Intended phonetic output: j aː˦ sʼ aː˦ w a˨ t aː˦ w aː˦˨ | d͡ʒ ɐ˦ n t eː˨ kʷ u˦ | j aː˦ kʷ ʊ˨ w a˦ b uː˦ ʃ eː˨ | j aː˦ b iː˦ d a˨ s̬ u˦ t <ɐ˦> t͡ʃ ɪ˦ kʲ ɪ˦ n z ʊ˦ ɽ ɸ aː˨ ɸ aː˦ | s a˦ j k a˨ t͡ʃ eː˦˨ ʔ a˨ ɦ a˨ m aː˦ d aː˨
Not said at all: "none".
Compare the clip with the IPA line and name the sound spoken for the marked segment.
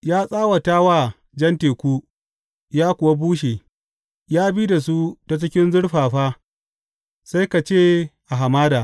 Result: a˦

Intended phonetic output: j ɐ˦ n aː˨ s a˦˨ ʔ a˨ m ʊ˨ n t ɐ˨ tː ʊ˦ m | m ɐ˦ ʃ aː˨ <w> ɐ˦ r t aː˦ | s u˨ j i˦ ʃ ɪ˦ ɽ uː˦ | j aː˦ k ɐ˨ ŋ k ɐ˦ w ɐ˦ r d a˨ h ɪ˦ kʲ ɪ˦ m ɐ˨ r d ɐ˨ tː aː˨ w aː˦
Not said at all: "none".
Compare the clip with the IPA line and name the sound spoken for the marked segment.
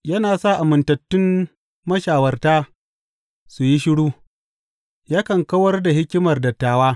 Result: w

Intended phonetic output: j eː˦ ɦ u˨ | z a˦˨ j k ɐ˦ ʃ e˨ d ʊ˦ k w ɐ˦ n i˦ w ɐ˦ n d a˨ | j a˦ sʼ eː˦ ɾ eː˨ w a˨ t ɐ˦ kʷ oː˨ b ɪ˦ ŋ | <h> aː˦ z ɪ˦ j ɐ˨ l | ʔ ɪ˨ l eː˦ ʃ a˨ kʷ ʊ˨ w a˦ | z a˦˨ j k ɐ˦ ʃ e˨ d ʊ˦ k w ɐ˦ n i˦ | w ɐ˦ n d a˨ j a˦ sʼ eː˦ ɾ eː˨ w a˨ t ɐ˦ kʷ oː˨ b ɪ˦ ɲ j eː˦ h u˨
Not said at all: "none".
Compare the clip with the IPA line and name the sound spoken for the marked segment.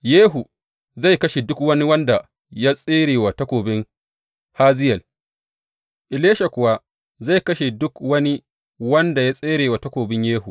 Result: h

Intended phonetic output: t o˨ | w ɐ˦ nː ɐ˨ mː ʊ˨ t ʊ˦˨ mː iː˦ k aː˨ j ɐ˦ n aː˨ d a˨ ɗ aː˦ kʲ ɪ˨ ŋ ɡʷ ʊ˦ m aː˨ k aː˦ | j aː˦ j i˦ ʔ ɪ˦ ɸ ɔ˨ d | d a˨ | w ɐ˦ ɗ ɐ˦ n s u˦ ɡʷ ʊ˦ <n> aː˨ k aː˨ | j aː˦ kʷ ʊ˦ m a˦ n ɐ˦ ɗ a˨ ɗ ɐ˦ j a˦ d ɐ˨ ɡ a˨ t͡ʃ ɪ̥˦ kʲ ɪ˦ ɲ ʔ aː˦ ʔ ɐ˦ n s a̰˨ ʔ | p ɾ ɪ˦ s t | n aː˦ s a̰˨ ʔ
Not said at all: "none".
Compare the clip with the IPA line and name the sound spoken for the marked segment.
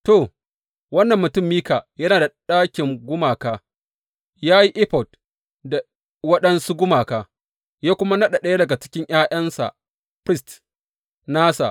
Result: m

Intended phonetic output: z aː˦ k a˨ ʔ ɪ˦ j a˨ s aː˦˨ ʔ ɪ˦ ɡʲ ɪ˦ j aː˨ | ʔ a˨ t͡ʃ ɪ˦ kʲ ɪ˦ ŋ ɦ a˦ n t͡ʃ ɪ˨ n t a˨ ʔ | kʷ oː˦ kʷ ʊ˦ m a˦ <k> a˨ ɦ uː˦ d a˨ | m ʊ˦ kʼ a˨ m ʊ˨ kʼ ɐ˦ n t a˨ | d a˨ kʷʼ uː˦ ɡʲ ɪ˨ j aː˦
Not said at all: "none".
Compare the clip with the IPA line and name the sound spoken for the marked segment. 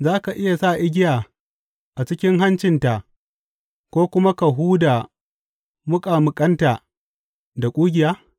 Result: k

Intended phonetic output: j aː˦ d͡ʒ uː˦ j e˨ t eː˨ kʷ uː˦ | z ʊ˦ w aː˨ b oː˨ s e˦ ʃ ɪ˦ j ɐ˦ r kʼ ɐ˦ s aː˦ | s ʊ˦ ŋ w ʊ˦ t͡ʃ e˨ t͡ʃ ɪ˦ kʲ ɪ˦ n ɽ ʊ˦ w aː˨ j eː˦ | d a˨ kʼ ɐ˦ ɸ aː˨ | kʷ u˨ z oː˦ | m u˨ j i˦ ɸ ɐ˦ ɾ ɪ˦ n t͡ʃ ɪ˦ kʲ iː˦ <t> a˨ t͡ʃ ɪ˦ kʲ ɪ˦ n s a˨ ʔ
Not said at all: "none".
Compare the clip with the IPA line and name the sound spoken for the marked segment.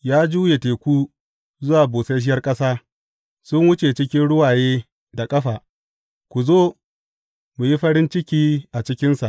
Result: ʔ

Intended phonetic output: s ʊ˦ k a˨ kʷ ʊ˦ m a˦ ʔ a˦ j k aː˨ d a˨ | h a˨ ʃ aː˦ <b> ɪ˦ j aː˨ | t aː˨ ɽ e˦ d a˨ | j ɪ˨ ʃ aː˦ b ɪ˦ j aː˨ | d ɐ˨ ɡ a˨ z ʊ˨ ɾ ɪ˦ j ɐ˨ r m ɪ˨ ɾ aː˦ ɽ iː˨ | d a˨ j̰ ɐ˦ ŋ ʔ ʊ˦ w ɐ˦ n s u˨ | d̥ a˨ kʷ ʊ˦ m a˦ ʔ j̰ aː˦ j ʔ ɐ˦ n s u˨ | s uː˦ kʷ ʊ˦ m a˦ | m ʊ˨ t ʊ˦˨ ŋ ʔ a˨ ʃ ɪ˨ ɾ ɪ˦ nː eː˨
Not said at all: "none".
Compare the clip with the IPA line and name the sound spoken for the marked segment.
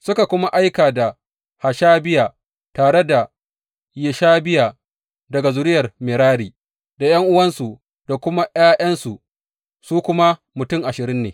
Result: b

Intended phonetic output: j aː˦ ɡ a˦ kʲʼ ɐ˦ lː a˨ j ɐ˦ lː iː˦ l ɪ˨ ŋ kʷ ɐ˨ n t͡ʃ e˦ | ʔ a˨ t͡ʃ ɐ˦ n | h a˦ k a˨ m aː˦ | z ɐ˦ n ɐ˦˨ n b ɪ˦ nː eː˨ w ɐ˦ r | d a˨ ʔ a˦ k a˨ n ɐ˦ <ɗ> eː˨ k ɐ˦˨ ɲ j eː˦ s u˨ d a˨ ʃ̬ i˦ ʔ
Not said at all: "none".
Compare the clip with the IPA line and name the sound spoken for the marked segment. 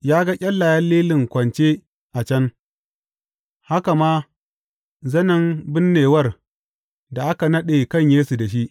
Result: ɗ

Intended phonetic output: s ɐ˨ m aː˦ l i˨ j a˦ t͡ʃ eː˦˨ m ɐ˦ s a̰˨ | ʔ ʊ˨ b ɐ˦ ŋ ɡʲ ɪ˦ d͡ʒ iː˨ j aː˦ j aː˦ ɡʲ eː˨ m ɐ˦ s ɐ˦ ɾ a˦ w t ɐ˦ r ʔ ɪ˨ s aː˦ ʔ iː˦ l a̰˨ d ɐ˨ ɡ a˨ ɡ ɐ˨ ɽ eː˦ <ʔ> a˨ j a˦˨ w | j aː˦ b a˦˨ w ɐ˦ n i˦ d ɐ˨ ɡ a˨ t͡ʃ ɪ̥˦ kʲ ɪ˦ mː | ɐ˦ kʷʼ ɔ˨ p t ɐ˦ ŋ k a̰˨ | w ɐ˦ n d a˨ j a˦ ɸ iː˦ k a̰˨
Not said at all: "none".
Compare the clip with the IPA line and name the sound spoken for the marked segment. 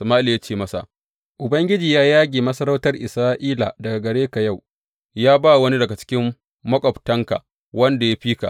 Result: k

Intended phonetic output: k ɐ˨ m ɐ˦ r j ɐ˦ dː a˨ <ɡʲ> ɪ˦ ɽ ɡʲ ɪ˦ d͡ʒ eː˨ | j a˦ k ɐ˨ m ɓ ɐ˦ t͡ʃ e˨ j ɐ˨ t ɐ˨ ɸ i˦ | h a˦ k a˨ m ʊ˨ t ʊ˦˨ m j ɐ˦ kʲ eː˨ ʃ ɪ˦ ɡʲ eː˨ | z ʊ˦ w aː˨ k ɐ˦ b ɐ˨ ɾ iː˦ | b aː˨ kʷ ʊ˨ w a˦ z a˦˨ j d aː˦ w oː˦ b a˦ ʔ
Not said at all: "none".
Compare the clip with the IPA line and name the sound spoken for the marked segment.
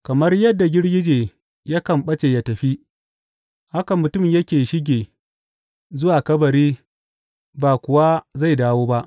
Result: ɡʲ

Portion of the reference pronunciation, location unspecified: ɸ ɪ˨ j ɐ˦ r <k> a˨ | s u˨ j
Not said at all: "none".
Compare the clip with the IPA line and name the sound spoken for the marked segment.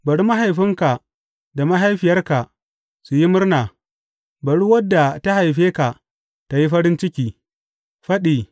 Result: k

